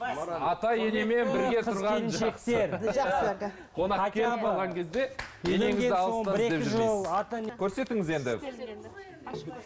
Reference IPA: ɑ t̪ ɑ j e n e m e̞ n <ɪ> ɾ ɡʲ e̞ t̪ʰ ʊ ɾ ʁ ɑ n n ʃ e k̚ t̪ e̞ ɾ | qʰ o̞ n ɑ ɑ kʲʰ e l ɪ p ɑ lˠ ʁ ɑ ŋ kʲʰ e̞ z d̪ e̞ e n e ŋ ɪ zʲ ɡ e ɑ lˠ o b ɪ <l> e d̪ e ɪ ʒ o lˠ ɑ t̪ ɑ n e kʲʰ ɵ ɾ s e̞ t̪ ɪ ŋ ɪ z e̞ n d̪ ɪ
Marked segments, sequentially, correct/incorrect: correct, incorrect: ɾ

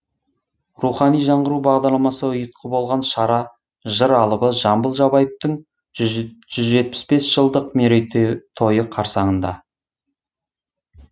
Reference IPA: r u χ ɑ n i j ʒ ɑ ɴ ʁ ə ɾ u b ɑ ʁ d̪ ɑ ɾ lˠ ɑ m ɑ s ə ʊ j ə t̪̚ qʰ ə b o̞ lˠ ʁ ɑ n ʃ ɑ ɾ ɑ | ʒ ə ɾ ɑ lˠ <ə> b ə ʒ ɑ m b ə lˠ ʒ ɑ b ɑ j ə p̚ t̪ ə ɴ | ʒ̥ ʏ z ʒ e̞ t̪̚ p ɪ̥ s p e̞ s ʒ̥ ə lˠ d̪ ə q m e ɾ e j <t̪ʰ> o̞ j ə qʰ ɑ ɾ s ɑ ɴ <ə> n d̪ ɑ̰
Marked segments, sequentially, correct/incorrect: correct, correct, correct

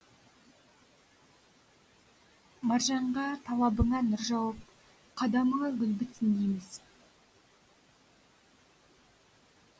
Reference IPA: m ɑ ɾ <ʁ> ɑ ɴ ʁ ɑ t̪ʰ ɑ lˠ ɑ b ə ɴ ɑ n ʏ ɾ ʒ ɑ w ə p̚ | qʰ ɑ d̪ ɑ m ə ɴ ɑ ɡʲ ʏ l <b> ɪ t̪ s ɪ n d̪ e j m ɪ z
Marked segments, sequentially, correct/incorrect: incorrect: ʒ, correct

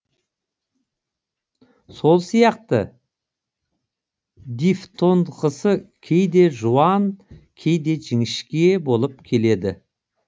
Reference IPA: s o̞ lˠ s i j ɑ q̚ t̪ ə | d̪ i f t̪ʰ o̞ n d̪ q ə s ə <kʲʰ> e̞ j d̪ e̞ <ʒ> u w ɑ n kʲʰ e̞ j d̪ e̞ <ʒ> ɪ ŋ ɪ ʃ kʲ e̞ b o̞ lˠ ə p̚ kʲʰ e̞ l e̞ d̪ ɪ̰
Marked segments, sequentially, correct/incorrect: correct, correct, correct

